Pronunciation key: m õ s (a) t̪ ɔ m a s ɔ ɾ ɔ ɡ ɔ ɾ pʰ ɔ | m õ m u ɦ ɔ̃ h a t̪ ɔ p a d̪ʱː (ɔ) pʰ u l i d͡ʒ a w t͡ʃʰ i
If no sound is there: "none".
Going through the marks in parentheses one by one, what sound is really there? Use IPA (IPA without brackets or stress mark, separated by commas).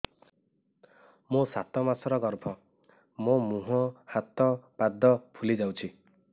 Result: a, ɔ